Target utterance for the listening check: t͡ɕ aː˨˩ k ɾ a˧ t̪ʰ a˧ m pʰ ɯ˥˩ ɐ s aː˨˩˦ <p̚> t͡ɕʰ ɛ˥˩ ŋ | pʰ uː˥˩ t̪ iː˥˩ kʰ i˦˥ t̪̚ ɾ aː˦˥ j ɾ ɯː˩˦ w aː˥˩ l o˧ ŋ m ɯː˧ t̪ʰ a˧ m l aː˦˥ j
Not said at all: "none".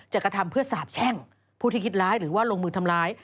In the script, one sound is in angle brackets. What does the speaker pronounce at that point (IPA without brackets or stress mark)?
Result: p̚